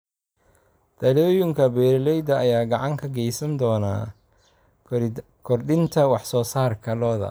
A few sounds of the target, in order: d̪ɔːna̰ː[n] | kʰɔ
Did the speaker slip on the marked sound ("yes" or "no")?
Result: yes